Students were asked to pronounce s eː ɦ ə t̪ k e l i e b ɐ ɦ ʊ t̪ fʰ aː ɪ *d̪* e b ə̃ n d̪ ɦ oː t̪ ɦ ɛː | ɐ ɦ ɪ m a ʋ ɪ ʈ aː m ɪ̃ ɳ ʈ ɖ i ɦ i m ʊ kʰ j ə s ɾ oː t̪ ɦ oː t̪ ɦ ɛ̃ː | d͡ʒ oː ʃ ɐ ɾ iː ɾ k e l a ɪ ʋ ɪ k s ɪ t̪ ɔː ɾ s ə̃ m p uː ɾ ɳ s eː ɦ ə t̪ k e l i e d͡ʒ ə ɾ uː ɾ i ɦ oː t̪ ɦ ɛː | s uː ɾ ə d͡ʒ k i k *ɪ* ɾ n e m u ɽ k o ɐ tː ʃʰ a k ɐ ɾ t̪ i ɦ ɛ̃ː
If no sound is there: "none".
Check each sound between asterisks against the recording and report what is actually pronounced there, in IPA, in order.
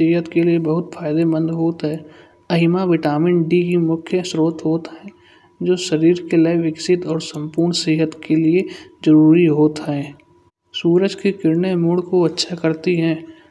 d̪, ɪ

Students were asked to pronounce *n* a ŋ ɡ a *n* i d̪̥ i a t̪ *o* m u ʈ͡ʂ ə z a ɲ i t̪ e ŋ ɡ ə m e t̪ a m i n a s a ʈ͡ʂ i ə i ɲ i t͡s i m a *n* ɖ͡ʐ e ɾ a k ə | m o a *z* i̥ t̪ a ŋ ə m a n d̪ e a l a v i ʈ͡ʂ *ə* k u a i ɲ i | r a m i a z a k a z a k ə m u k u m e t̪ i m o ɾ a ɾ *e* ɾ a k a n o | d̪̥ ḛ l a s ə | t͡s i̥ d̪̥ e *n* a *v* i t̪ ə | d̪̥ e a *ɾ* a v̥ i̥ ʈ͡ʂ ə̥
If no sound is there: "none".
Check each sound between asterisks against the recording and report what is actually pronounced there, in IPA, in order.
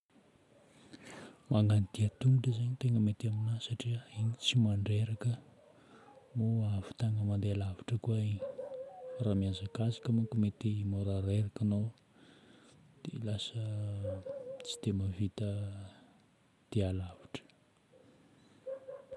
m, n, u, ɳ, v, ə, e, m, v, l

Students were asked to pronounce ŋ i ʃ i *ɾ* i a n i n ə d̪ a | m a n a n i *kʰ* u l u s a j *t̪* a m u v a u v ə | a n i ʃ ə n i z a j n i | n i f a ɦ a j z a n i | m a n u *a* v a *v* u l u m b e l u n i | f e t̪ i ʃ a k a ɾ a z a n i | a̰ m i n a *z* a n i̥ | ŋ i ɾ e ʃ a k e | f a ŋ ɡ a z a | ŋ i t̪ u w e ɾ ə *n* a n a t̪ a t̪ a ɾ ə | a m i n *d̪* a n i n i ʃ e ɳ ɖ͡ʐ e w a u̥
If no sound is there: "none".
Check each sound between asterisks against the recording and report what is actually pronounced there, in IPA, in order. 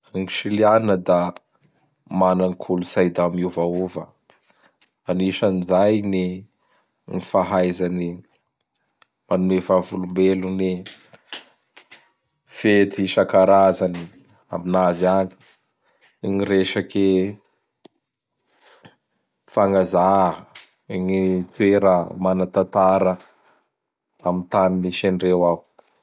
l, kʰ, d̪, e, v, z, m, t̪

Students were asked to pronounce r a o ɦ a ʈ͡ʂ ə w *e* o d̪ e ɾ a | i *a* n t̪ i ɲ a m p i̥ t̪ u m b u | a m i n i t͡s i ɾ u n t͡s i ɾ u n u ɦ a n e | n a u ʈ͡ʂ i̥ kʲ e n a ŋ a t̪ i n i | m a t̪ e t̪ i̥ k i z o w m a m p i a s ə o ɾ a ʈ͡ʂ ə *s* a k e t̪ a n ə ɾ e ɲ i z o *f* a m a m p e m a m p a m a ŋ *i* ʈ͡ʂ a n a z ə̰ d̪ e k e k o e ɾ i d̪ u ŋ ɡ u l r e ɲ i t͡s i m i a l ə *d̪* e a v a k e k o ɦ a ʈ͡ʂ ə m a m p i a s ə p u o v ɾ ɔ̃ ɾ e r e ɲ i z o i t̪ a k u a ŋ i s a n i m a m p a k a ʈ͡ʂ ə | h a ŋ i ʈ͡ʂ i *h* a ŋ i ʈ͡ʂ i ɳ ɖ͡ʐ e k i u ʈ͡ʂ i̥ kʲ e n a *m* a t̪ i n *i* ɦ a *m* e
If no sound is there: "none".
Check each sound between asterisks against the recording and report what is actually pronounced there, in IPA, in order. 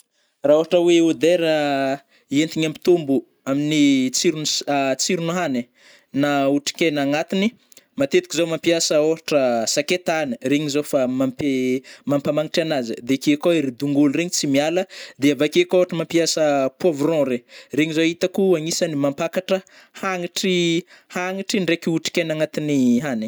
e, e, s, f, i, d̪, h, ŋ, i, n

